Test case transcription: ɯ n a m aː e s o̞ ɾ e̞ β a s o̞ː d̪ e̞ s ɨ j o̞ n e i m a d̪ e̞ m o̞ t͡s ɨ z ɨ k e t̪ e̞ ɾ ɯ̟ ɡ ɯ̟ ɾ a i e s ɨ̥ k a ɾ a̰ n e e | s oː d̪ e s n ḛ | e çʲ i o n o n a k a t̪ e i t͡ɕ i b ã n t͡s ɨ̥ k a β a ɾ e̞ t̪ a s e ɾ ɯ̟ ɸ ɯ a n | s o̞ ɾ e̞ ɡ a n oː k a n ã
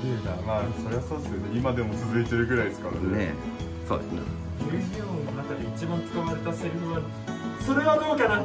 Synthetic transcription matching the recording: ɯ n a m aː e s o̞ ɾ e̞ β a s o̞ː d̪ e̞ s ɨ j o̞ n e i m a d̪ e̞ m o̞ t͡s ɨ z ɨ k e t̪ e̞ ɾ ɯ̟ ɡ ɯ̟ ɾ a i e s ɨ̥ k a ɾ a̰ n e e | s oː d̪ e s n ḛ | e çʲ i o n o n a k a d̪ e i t͡ɕ i b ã n t͡s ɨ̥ k a β a ɾ e̞ t̪ a s e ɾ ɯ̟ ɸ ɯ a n | s o̞ ɾ e̞ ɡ a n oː k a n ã